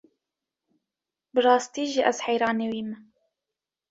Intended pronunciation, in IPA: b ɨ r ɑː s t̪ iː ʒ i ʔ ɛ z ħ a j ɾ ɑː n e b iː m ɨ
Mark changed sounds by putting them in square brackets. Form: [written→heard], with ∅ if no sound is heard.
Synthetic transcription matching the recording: b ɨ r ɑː s t̪ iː ʒ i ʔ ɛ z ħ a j ɾ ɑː n e [b→w] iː m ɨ